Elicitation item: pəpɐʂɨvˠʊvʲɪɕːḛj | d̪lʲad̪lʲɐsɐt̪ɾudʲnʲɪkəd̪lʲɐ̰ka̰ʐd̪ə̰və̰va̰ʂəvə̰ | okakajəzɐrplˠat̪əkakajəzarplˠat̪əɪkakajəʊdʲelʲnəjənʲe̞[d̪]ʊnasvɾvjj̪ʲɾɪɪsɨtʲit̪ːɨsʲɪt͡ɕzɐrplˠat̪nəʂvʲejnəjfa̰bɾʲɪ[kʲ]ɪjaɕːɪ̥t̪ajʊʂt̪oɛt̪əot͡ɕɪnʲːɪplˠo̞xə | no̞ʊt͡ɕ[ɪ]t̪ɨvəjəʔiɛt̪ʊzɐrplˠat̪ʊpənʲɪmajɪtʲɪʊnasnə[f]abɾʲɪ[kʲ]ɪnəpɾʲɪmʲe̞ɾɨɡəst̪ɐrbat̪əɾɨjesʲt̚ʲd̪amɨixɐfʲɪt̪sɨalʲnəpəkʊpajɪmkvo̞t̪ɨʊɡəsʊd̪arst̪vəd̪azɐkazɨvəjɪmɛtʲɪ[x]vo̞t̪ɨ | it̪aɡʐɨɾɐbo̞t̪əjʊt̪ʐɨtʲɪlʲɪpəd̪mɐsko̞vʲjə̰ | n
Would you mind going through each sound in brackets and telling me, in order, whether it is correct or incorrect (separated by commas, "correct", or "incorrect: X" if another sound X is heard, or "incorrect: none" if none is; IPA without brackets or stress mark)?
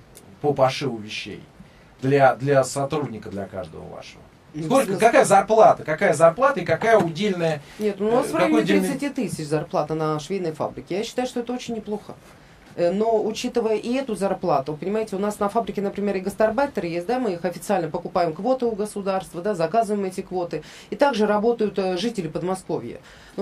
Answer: incorrect: t̪, correct, incorrect: i, correct, correct, incorrect: k